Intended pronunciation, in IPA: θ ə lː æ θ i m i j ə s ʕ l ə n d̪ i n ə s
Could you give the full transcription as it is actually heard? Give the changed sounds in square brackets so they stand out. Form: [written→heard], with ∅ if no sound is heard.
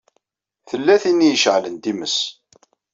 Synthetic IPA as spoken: θ ə lː æ θ i [m→n] i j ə [s→ʃ] ʕ l ə n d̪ i [n→m] ə s